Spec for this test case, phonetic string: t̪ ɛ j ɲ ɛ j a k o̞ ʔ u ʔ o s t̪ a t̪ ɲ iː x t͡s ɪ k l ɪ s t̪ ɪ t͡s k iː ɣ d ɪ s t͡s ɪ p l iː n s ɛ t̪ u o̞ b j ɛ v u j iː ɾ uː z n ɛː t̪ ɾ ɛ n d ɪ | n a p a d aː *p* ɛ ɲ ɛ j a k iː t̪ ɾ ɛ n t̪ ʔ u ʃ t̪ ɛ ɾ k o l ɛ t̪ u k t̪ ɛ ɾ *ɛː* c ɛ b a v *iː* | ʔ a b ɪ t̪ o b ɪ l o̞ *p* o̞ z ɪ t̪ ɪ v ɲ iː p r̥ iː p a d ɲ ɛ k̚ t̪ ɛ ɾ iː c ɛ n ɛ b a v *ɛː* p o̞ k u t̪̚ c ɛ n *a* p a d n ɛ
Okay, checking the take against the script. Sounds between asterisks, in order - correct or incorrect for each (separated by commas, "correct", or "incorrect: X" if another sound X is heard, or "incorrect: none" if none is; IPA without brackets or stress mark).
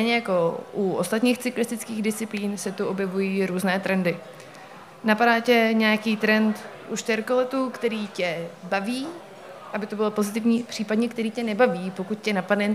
incorrect: c, incorrect: iː, correct, correct, incorrect: iː, correct